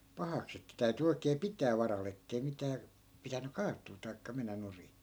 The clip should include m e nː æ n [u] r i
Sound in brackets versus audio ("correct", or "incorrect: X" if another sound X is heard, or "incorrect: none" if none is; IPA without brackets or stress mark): correct